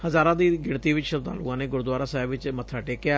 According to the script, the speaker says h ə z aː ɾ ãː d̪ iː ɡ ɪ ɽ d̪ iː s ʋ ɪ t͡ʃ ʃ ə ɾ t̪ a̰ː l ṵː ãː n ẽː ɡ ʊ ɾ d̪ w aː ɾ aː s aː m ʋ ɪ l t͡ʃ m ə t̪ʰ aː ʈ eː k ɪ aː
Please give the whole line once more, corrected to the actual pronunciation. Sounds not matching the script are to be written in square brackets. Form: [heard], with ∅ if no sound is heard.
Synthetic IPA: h ə z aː ɾ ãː d̪ iː ɡ ɪ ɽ [t̪] iː [∅] ʋ ɪ t͡ʃ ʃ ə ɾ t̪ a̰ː l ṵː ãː n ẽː ɡ ʊ ɾ d̪ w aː ɾ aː s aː [b] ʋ ɪ [∅] t͡ʃ m ə t̪ʰ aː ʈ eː k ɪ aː